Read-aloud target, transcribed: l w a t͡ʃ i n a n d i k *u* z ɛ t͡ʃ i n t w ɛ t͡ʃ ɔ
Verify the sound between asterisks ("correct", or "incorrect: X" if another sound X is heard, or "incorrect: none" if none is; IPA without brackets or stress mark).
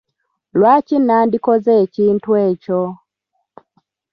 incorrect: ɔ